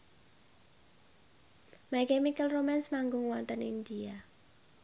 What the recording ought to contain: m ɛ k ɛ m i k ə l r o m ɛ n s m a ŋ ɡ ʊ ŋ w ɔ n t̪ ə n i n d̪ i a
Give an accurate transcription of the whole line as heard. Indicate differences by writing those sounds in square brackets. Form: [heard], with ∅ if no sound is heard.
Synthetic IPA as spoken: m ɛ k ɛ m i k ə l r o m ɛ n s m a ŋ ɡ ʊ ŋ w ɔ n t̪ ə n i n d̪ i a